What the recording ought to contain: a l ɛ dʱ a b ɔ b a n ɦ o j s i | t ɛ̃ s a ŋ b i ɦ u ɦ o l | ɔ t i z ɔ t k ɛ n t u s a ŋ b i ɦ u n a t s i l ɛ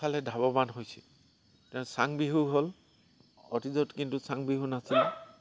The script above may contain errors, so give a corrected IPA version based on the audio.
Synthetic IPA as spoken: a l ɛ dʱ a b ɔ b a n ɦ o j s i | t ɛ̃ s a ŋ b i ɦ u ɦ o l | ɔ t i z ɔ t k i n t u s a ŋ b i ɦ u n a s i l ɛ

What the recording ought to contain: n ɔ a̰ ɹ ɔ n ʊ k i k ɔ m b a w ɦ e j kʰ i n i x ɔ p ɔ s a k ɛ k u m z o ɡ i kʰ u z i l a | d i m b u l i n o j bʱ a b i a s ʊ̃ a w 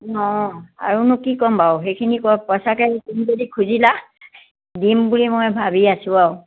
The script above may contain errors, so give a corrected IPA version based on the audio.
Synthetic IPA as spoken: n ɔ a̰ ɹ u n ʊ k i k ɔ m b a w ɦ e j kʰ i n i k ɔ p ɔ s a k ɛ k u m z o d i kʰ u z i l a | d i m b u l i m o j bʱ a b i a s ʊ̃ a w

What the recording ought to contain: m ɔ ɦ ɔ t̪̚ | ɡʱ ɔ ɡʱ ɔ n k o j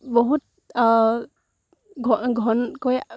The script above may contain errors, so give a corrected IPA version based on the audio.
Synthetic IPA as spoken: b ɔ ɦ u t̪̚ | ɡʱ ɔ ɡʱ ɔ n k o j

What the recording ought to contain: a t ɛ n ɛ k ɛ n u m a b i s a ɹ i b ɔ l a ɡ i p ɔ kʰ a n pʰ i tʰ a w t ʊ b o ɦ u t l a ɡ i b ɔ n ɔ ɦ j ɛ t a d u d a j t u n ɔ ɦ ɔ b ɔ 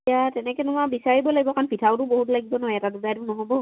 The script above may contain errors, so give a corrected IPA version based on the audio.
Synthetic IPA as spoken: a t ɛ n ɛ k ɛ n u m a b i s a ɹ i b ɔ l a ɡ i b ɔ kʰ a n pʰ i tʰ a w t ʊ b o ɦ u t l a ɡ i b ɔ n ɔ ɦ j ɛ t a d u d a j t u n ɔ ɦ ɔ b ɔ

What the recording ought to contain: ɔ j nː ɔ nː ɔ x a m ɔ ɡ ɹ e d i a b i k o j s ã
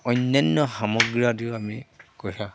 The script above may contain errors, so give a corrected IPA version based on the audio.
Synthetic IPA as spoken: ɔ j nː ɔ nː ɔ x a m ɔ ɡ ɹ a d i a m i k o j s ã

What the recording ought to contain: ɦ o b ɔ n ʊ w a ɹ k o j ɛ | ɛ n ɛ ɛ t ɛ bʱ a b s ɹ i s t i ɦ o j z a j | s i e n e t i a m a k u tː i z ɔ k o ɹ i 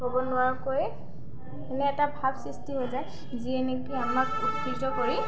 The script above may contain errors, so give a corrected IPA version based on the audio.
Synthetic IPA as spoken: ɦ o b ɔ n ʊ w a ɹ k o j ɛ | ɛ n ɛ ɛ t a bʱ a b s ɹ i s t i ɦ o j z a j | z i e n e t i a m a k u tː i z ɔ k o ɹ i

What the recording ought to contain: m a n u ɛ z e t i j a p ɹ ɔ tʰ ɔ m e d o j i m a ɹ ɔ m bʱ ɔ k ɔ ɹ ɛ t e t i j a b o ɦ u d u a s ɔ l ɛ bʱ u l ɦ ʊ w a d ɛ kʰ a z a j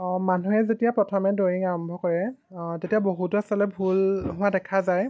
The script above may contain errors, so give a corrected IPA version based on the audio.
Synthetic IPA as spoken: m a n u ɛ z e t i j a p ɹ ɔ tʰ ɔ m ɛ d o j i ŋ a ɹ ɔ m bʱ ɔ k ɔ ɹ ɛ t e t i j a b o ɦ u t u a s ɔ l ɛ bʱ u l ɦ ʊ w a d ɛ kʰ a z a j

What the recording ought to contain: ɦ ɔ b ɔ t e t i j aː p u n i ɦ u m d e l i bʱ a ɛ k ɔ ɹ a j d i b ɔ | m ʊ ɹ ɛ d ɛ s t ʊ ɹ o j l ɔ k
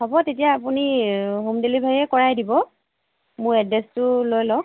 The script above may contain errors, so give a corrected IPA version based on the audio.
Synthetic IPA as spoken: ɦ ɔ b ɔ t e t i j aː p u n i ɦ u m d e l i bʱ a ɛ k ɔ ɹ a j d i b ɔ | m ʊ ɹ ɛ d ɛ s t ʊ l o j l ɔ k

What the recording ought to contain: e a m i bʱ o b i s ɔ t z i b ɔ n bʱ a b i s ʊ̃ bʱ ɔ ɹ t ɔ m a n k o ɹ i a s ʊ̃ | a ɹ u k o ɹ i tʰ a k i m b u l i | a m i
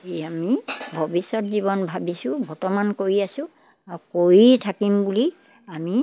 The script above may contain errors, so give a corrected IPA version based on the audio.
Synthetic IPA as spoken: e a m i bʱ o b i s ɔ t z i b ɔ n bʱ a b i s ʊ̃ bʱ ɔ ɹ t ɔ m a n k o ɹ i a s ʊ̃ | a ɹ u k o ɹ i tʰ a k i m b u l i | a m i

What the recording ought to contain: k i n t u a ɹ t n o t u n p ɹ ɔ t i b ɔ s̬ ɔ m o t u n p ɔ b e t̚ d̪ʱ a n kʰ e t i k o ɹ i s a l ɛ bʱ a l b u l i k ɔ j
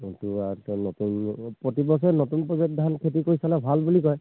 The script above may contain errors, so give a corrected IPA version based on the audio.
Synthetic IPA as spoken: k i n t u a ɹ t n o t u n p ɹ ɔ t i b ɔ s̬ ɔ n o t u n p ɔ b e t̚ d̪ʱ a n kʰ e t i k o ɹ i s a l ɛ bʱ a l b u l i k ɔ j

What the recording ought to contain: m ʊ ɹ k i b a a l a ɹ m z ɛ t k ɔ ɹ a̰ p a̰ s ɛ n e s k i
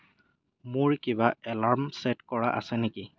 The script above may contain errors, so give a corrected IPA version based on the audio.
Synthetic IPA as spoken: m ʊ ɹ k i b a ɛ l a ɹ m s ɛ t k ɔ ɹ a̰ ʔ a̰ s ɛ n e k i

